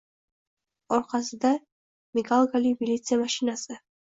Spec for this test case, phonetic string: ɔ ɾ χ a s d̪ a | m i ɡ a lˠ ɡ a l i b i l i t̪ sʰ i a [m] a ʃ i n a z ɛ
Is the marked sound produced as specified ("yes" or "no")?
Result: yes